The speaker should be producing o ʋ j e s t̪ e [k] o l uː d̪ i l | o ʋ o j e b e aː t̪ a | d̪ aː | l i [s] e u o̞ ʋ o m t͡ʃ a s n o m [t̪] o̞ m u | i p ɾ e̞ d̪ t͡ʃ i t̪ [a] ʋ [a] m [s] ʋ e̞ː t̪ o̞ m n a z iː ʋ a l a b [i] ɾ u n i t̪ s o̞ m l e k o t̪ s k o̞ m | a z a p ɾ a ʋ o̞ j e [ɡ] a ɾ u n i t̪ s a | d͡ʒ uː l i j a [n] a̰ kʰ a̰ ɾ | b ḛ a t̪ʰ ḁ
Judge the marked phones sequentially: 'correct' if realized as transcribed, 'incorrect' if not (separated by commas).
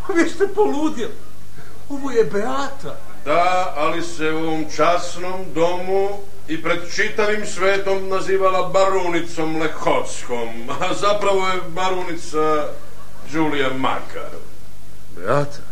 incorrect, correct, incorrect, correct, incorrect, correct, incorrect, incorrect, incorrect